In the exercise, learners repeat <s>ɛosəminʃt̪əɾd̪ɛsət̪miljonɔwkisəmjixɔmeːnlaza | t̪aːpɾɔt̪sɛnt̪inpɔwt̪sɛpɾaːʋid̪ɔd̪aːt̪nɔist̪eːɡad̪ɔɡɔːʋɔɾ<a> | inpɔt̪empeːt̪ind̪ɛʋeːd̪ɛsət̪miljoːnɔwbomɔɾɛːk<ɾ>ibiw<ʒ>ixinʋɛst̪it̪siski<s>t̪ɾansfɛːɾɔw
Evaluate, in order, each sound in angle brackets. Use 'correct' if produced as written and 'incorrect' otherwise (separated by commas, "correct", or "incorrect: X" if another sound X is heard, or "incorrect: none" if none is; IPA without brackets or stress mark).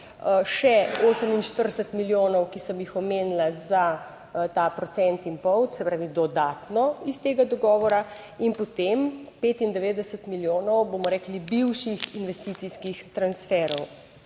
incorrect: ʃ, correct, incorrect: l, incorrect: ʃ, incorrect: x